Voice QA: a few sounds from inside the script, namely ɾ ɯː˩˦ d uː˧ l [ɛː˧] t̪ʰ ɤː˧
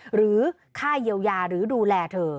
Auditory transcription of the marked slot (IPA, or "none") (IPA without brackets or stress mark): ɛː˧